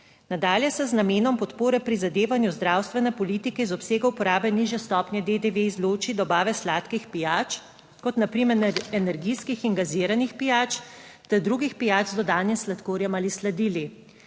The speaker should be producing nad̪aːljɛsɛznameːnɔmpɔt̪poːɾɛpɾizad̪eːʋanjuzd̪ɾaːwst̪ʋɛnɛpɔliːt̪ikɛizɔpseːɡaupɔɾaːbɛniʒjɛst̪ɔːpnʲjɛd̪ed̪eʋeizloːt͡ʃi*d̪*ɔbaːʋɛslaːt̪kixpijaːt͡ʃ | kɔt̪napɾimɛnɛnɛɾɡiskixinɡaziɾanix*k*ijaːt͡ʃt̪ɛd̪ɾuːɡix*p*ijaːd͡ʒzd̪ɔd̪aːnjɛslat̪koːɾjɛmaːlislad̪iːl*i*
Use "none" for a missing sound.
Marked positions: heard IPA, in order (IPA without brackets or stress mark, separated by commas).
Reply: d̪, p, p, i